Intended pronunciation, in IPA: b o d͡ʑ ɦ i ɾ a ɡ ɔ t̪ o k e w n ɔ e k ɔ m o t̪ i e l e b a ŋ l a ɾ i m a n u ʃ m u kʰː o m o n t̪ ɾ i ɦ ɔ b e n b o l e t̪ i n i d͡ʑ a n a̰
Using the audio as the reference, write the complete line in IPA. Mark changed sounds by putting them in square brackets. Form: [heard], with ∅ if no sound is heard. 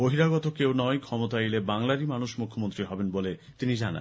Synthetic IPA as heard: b o [∅] ɦ i ɾ a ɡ ɔ t̪ o k e w n ɔ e [kʰ] ɔ m o t̪ [a] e l e b a ŋ l a ɾ i m a n u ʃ m u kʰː o m o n t̪ ɾ i ɦ ɔ b e n b o l e t̪ i n i d͡ʑ a n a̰